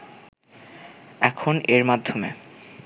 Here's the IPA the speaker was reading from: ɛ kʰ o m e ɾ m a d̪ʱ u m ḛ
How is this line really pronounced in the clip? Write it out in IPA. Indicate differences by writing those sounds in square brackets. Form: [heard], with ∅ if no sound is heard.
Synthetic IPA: ɛ kʰ o [n] e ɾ m a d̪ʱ [o] m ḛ